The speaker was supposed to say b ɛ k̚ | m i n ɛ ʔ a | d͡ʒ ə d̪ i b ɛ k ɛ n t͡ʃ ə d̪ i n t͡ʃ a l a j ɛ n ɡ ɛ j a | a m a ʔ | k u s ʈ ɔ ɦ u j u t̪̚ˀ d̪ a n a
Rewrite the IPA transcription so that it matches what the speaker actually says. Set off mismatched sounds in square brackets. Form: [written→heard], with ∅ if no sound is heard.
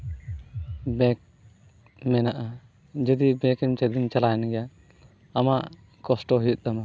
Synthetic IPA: b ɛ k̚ | m [i→ɛ] n [ɛ→a] ʔ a | d͡ʒ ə d̪ i b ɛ k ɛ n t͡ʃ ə d̪ i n t͡ʃ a l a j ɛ n ɡ ɛ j a | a m a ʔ | k [u→ɔ] s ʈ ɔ ɦ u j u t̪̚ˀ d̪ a [n→m] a